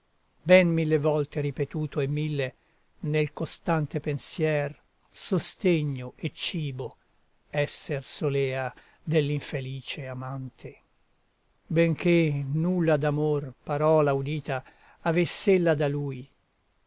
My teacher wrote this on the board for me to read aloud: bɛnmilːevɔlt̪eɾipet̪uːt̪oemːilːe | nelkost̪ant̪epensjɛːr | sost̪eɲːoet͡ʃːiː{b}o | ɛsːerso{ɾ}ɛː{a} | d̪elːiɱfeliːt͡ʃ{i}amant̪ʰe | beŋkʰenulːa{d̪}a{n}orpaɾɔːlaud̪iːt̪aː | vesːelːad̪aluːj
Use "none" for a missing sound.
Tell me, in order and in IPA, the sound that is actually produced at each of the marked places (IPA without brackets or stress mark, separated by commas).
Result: b, l, a, e, d̪, m